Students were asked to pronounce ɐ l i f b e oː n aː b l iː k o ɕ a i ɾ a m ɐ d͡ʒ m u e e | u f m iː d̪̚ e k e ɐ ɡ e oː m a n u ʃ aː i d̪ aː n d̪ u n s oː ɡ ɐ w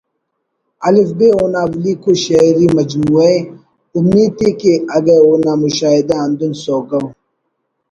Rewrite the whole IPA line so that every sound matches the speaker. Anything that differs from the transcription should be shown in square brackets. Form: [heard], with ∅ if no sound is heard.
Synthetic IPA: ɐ l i f b e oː n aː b l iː k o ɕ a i ɾ [i] m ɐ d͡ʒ m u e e | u [∅] m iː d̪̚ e k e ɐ ɡ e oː [n] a [m] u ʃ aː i d̪ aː n d̪ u n s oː ɡ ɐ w